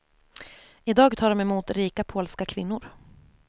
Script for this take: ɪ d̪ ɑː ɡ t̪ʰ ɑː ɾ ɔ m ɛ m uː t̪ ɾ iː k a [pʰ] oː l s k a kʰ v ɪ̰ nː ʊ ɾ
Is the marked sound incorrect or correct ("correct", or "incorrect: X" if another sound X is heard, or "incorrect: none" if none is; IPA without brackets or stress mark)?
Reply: correct